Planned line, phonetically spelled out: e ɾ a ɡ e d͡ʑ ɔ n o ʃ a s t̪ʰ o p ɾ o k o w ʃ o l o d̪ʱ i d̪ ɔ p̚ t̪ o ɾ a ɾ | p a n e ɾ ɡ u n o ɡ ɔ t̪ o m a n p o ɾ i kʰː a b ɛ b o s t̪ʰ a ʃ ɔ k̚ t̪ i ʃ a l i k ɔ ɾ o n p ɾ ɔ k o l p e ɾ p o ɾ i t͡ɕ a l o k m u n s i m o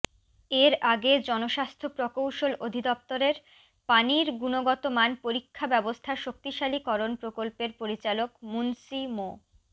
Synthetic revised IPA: e ɾ a ɡ e d͡ʑ ɔ n o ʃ a s t̪ʰ o p ɾ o k o w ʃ o l o d̪ʱ i d̪ ɔ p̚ t̪ o ɾ e ɾ | p a n i ɾ ɡ u n o ɡ ɔ t̪ o m a n p o ɾ i kʰː a b ɛ b o s t̪ʰ a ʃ o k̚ t̪ i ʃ a l i k ɔ ɾ o n p ɾ o k o l p e ɾ p o ɾ i t͡ɕ a l o k m u n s i m o